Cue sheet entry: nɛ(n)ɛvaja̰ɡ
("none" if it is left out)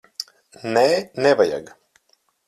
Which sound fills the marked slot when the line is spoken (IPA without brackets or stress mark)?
n